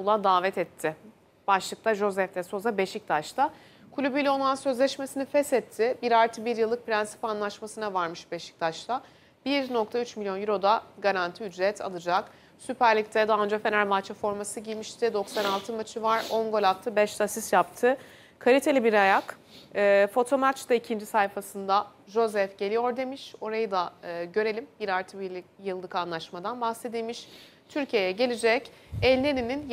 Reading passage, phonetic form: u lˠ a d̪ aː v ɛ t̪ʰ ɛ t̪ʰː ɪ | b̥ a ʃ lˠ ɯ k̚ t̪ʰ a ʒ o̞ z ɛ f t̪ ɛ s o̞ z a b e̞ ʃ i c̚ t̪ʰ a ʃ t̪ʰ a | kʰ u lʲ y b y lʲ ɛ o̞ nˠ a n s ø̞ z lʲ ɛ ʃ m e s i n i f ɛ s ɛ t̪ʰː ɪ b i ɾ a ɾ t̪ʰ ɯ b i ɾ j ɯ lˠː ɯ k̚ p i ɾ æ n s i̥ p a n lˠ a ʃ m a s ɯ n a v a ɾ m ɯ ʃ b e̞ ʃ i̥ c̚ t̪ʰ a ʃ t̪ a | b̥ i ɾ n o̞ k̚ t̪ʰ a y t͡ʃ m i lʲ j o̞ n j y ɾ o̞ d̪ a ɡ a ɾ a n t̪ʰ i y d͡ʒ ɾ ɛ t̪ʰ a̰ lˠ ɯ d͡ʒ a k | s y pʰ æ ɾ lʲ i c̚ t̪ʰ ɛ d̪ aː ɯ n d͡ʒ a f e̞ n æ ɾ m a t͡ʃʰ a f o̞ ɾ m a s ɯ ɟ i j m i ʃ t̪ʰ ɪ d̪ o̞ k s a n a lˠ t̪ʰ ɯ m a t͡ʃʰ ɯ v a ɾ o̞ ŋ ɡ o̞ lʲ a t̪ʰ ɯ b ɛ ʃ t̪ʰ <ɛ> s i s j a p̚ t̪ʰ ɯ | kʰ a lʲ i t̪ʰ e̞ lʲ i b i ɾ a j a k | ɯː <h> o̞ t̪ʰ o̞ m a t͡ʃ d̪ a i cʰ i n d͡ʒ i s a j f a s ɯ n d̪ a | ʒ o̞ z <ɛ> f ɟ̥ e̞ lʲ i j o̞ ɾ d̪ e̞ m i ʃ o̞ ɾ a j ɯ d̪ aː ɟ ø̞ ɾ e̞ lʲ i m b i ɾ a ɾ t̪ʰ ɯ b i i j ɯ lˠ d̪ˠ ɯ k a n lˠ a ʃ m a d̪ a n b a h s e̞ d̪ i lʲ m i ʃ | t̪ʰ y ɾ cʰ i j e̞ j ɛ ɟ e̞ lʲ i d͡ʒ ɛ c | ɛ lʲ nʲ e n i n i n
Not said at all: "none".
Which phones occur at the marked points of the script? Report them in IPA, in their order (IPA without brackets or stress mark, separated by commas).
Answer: a, f, ɛ